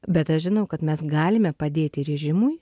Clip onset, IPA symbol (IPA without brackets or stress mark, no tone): bʲ